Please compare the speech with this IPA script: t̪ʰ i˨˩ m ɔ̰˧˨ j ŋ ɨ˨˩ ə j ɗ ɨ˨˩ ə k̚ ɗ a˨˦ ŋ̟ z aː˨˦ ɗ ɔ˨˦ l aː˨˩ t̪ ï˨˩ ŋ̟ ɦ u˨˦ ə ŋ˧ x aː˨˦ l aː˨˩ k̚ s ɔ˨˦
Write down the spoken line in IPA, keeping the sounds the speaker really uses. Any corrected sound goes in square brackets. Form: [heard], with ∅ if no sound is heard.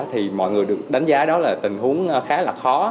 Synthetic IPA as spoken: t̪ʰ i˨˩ m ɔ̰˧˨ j ŋ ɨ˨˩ ə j ɗ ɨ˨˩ ə k̚ ɗ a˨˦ ŋ̟ z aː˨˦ ɗ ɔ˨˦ l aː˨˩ t̪ ï˨˩ ŋ̟ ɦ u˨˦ ə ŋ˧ x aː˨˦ l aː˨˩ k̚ [x] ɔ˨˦